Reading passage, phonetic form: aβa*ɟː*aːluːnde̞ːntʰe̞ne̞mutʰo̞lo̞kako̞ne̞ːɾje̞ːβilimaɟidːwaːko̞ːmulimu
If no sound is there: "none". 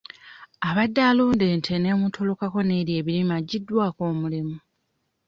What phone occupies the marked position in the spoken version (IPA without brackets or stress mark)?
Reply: dː